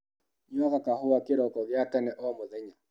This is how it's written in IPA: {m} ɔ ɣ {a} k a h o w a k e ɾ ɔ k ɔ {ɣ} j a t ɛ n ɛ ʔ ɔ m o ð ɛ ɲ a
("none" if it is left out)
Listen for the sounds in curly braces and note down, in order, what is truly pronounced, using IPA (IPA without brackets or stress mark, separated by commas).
ɲ, a, ɣ